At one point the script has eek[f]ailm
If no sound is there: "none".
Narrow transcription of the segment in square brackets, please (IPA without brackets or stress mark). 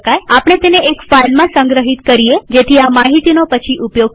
f